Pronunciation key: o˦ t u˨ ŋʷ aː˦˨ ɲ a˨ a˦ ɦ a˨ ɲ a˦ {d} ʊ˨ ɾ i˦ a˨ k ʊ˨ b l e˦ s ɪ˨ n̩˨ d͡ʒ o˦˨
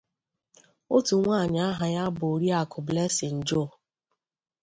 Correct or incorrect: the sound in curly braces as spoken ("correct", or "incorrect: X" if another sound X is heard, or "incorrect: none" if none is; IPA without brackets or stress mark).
incorrect: b